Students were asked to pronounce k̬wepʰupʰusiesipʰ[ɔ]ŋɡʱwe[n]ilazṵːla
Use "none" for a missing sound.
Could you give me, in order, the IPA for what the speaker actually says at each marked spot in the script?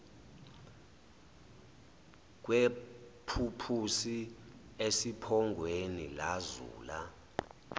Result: ɔ, n

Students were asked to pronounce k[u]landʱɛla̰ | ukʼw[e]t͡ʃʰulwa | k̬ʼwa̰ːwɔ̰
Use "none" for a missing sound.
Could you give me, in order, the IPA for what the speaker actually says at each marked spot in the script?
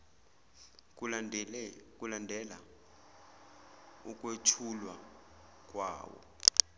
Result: u, e

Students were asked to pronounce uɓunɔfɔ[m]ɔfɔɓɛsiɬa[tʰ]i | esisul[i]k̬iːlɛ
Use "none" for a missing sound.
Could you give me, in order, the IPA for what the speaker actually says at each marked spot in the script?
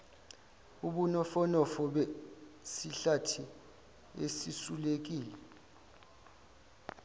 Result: n, tʰ, e

